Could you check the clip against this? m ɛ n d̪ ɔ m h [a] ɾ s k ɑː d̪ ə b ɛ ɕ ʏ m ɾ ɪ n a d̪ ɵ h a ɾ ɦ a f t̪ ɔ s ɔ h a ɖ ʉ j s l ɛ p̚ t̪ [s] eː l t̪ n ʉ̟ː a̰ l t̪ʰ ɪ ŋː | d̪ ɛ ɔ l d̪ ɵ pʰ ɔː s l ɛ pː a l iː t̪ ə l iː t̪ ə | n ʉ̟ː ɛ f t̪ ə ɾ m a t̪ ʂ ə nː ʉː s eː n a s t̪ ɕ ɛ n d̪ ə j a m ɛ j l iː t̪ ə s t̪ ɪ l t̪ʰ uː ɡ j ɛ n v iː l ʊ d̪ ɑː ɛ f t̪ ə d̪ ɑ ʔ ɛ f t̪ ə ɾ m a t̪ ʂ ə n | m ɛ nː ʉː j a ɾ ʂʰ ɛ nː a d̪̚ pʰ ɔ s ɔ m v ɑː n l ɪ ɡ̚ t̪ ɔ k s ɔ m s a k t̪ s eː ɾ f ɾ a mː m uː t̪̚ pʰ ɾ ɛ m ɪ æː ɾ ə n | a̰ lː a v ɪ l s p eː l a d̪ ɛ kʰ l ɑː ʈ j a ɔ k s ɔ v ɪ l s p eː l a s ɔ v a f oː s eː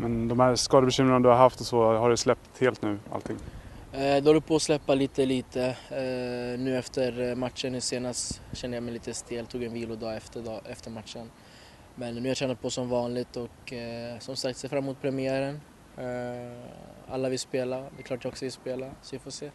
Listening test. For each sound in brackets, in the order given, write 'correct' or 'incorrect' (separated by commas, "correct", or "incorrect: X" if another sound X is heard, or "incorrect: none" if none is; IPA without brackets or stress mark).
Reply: incorrect: æ, incorrect: h